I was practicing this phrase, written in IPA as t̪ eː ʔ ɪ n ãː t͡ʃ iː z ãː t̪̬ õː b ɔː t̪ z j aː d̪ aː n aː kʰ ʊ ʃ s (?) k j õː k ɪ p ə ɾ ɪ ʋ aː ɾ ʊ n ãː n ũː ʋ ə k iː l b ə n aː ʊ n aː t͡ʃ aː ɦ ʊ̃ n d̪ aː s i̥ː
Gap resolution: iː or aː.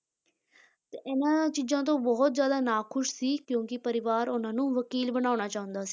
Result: iː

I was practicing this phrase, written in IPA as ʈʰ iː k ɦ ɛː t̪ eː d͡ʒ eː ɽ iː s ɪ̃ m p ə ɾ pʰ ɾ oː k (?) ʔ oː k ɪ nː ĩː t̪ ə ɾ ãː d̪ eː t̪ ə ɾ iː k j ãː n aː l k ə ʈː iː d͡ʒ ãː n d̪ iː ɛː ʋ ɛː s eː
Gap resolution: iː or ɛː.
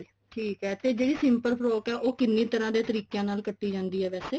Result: ɛː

